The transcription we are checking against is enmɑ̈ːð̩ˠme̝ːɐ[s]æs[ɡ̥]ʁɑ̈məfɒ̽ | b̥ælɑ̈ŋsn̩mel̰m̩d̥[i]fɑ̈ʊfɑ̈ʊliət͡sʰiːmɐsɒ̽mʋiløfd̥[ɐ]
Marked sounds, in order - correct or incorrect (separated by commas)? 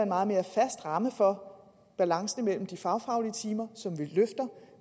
incorrect, incorrect, correct, correct